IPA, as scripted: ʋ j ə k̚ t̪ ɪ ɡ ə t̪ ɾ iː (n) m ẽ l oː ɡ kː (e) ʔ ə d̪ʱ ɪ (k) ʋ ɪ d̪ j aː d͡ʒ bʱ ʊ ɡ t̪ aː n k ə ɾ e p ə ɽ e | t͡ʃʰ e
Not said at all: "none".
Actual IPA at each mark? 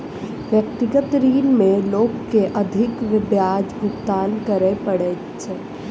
n, e, k

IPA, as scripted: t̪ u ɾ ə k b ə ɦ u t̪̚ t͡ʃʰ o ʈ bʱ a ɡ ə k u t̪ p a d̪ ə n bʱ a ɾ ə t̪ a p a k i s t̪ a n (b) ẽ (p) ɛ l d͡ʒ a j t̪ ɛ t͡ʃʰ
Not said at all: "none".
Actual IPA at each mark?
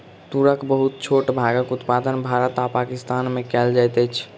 m, k

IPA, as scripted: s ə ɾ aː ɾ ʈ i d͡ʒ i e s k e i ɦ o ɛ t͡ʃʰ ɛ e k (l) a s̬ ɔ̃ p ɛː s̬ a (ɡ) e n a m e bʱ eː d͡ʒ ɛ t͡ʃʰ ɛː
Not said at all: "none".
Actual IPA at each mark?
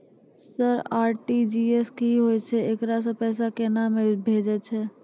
ɾ, k

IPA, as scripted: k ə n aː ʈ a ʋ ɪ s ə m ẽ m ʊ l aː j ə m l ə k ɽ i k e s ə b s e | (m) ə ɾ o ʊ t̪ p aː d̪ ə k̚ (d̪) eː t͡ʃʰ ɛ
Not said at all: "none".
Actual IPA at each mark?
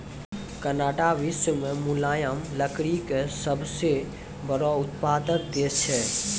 b, d̪

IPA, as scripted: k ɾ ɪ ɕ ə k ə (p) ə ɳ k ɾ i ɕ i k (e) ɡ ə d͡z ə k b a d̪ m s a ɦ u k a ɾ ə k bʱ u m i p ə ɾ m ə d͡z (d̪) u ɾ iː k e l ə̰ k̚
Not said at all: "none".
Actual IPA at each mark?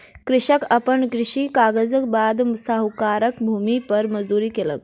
p, a, d̪

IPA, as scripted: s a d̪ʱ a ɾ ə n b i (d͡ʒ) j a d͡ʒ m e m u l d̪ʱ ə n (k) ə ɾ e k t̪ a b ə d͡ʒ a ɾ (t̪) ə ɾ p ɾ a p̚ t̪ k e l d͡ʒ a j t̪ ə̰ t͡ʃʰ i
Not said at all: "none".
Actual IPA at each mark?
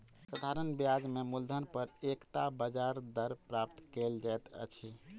none, p, d̪

